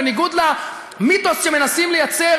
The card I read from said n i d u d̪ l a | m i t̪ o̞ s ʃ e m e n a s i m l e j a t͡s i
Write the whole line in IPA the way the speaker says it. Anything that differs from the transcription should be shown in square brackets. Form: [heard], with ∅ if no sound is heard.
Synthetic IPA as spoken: n i [ɡ] u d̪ l a | m i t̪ o̞ s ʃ e m e n a s i m l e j a t͡s [e]

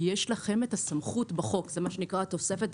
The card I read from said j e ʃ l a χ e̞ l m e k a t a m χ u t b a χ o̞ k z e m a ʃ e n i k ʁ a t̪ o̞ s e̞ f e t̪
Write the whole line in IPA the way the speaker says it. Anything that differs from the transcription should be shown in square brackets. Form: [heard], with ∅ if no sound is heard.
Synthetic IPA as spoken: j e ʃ l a χ e̞ [∅] m e [t] a [s] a m χ u t b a χ o̞ k z e m a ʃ e n i k ʁ a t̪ o̞ s e̞ f e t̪

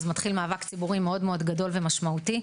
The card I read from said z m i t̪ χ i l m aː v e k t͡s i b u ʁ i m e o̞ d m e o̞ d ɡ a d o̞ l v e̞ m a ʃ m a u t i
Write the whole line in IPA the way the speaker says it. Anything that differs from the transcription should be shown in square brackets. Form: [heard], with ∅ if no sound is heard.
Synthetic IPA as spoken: z m [a] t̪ χ i l m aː v [a] k t͡s i b u ʁ i m e o̞ d m e o̞ d ɡ a d o̞ l v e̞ m a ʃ m a u t i

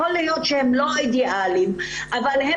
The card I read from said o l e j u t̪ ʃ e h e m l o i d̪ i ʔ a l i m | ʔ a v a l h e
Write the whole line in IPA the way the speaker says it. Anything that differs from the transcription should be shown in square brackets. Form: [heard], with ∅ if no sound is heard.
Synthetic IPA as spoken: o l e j [o] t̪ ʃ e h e m l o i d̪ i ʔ a l i m | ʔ a v a l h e

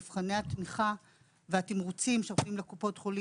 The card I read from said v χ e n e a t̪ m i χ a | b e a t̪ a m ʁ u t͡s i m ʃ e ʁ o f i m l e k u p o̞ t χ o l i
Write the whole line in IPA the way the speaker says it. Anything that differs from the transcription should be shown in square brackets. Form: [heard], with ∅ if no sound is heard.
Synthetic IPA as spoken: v χ [a] n e a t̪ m i χ a | [v] e a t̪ [i] m ʁ u t͡s i m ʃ e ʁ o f i m l e k u p o̞ t χ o l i

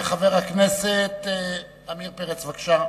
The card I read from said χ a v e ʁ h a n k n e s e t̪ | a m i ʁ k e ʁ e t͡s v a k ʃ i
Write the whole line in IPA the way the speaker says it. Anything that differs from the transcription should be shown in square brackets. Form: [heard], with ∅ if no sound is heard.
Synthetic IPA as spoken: χ a v e ʁ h a [∅] k n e s e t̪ | a m i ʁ [p] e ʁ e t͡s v a k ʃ [a]

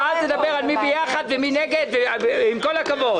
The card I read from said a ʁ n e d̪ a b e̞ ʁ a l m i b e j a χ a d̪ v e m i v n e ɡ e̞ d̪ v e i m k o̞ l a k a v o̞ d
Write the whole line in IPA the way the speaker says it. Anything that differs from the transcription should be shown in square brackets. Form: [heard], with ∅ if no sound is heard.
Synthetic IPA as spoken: a [z] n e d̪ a b e̞ ʁ a l m i b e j a χ a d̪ v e m i [∅] n e ɡ e̞ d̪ v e i m k o̞ l a k a v o̞ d

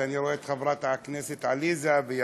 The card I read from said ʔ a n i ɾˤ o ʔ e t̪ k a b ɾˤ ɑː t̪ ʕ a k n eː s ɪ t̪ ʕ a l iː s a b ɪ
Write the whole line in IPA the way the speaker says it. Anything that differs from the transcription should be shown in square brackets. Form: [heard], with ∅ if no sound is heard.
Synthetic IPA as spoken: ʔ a n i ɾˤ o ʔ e t̪ [x] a b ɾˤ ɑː t̪ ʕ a k n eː s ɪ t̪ ʕ a l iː [z] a b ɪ

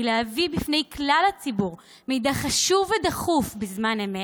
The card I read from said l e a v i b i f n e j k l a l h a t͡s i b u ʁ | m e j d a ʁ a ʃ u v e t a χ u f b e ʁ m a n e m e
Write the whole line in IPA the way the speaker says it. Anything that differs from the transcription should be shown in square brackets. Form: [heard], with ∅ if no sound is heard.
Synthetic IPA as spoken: l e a v i b i f n e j k l a l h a t͡s i b u ʁ | m e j d a [χ] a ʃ u v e [d] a χ u f b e [z] m a n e m e

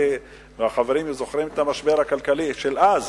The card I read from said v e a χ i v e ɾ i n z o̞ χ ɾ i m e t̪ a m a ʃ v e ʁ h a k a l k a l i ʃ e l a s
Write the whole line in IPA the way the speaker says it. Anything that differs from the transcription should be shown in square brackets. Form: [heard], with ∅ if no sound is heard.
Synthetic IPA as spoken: v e a χ [a] v e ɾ i [m] z o̞ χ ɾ i m e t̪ a m a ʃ [b] e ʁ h a k a l k a l i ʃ e l a [z]

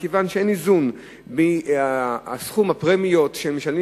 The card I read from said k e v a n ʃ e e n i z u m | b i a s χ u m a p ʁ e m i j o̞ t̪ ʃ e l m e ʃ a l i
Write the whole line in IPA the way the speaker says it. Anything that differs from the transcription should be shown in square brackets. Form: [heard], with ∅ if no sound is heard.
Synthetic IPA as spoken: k e v a n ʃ e e n i z u [n] | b i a s χ u m a p ʁ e m i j o̞ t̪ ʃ e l m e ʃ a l i

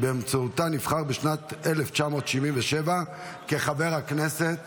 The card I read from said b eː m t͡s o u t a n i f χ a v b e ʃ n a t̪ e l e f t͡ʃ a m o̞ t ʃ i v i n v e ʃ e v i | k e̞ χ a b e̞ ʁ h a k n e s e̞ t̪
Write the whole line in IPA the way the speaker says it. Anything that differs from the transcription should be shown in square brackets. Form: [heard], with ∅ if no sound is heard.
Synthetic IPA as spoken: b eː m t͡s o u t a n i f χ a [ʁ] b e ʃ n a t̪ e l e f t͡ʃ a m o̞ t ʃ i v i n v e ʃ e v [a] | k e̞ χ a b e̞ ʁ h a k n e s e̞ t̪

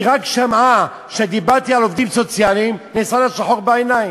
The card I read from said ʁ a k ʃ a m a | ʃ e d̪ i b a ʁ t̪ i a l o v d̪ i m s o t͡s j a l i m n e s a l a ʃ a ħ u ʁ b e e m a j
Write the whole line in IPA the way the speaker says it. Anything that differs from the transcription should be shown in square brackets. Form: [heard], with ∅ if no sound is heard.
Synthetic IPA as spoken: ʁ a k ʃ a m a | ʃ e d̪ i b a ʁ t̪ i a l o v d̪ i m s o t͡s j a l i m n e s a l a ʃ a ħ [o] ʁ b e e [n] a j

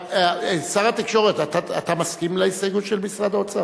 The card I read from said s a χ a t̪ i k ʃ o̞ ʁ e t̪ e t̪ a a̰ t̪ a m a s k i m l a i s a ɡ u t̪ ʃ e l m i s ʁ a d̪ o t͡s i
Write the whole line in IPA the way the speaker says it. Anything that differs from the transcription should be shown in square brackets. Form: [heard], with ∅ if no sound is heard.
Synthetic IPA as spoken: s a [ʁ] a t̪ i k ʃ o̞ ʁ e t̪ [a] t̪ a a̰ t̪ a m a s k i m l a i s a ɡ u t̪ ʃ e l m i s ʁ a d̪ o t͡s [a]

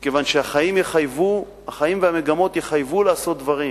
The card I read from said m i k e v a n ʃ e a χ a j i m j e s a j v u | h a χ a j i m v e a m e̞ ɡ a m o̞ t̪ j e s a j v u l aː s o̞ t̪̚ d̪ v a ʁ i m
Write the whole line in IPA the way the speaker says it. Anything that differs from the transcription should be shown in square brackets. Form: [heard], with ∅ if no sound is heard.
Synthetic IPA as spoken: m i k e v a n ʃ e a χ a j i m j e [χ] a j v u | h a χ a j i m v e a m e̞ ɡ a m o̞ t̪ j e [χ] a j v u l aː s o̞ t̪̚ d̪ v a ʁ i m

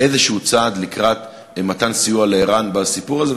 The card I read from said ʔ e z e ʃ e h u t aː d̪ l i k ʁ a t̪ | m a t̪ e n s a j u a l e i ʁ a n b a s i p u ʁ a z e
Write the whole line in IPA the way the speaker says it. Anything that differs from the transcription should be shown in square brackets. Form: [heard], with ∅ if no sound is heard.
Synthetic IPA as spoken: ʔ e z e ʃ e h u [t͡s] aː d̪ l i k ʁ a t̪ | m a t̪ [a] n s [i] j u a l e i ʁ a n b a s i p u ʁ a z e

